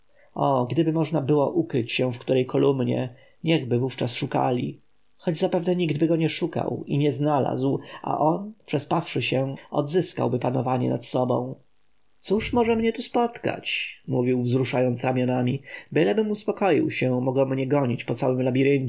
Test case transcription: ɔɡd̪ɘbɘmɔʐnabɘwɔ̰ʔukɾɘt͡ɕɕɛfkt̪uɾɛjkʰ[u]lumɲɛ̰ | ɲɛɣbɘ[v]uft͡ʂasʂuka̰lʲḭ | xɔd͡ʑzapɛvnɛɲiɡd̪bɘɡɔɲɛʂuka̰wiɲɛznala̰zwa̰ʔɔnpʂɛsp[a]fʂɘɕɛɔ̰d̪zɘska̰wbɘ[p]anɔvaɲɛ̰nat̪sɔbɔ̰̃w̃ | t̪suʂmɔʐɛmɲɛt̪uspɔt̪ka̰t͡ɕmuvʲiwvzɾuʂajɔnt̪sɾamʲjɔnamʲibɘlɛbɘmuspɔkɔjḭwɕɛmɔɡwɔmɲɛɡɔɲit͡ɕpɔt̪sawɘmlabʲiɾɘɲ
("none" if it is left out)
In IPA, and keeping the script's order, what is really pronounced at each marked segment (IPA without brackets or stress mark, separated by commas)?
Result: ɔ, v, a, p